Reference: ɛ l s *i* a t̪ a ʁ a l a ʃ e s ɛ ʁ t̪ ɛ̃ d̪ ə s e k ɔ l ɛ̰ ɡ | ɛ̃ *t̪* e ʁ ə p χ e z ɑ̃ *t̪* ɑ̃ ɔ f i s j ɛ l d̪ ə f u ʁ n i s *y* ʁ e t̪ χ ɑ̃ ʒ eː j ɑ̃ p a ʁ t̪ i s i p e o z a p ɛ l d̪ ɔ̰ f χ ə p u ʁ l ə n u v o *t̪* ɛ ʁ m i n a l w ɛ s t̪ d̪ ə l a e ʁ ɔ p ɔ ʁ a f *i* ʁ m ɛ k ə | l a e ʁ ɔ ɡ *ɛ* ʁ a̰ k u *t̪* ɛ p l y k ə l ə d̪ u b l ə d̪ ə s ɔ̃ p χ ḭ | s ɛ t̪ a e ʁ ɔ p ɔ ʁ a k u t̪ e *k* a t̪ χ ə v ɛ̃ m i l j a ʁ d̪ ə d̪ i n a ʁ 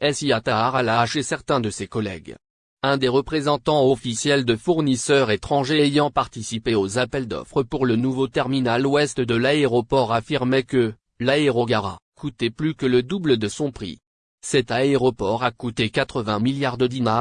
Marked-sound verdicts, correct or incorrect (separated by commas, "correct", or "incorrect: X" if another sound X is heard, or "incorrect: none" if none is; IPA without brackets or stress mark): correct, incorrect: d̪, correct, incorrect: œ, correct, correct, incorrect: a, correct, correct